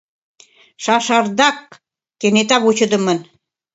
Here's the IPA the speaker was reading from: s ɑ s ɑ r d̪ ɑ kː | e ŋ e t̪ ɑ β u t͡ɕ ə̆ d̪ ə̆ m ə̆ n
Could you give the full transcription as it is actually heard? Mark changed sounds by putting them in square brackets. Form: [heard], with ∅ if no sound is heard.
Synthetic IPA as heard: [ʃ] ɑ [ʃ] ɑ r d̪ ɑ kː | e [n] e t̪ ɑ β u t͡ɕ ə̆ d̪ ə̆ m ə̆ n